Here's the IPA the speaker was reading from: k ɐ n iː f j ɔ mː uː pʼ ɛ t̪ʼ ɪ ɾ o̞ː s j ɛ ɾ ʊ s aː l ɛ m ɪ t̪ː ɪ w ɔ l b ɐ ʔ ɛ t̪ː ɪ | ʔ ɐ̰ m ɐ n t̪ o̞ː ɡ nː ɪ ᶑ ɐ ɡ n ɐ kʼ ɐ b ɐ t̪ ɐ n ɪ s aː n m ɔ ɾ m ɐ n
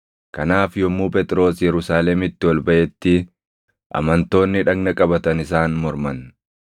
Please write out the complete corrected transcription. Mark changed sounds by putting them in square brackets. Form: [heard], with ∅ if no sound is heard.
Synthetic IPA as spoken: k ɐ n [aː] f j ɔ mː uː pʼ ɛ t̪ʼ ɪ ɾ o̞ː s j ɛ ɾ ʊ s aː l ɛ m ɪ t̪ː ɪ w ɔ l b ɐ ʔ ɛ t̪ː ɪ | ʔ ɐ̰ m ɐ n t̪ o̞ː [∅] nː ɪ ᶑ ɐ ɡ n ɐ kʼ ɐ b ɐ t̪ ɐ n ɪ s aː n m ɔ ɾ m ɐ n